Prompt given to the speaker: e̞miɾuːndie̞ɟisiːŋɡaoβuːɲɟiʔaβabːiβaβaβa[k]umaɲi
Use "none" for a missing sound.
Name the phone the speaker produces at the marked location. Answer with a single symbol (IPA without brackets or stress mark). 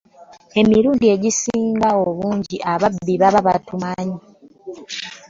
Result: t